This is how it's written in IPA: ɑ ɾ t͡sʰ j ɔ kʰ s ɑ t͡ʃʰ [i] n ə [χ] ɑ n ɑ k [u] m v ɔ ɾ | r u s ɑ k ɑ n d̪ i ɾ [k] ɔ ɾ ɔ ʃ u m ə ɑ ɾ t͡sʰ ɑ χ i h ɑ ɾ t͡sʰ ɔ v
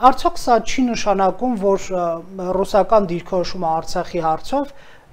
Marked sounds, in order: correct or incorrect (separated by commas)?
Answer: correct, incorrect, correct, incorrect